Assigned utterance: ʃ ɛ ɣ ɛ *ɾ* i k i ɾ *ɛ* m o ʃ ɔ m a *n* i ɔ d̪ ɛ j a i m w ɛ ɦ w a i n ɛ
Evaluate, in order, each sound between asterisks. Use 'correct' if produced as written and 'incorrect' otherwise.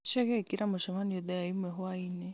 incorrect: none, incorrect: a, correct

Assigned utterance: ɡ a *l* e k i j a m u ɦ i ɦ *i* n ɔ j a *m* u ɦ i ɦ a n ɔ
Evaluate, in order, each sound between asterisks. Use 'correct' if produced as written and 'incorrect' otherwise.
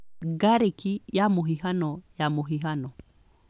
incorrect: ɾ, incorrect: a, correct

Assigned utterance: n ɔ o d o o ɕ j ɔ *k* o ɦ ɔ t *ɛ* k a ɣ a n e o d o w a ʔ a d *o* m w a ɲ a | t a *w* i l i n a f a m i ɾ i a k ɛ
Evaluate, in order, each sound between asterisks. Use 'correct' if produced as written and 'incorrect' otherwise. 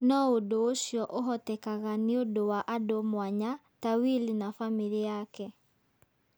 incorrect: ʔ, correct, correct, correct

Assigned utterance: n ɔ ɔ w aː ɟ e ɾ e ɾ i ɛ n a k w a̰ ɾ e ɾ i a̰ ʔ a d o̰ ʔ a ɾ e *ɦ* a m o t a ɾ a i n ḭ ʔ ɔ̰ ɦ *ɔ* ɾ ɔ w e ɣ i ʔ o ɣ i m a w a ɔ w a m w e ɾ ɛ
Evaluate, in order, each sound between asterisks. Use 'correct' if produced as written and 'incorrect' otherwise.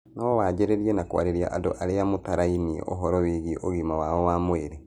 incorrect: none, correct

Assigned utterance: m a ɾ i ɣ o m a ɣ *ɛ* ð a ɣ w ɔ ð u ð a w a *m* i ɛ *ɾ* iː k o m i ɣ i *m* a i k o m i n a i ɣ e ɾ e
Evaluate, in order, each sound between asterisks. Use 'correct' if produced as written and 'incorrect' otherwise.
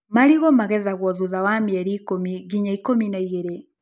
correct, correct, correct, incorrect: ɲ

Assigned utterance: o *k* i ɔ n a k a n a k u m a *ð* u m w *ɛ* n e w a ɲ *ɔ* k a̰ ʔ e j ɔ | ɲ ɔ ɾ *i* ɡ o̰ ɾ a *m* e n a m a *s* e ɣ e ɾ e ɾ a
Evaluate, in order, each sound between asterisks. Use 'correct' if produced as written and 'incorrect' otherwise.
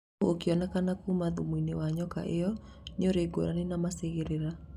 correct, correct, incorrect: i, correct, incorrect: e, incorrect: n, correct

